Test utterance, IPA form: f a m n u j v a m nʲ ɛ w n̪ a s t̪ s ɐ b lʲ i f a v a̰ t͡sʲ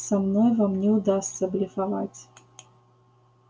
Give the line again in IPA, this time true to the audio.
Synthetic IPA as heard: s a m n ɔ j v a m nʲ ɛ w d̪ a s t̪ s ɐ b lʲ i f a v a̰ t͡sʲ